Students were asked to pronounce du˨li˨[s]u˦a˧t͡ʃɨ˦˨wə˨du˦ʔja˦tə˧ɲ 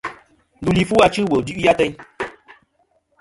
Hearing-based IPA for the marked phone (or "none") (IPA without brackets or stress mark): f